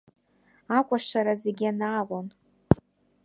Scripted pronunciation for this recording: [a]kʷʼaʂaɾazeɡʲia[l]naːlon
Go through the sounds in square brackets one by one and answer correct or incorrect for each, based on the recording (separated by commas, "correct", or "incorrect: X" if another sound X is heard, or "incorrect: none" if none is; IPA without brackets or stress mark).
correct, incorrect: none